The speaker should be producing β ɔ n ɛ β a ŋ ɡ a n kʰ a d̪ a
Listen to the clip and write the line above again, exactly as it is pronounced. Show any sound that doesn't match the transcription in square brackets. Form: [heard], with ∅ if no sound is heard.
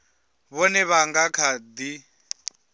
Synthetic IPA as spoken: β ɔ n ɛ β a ŋ ɡ a [∅] kʰ a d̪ [i]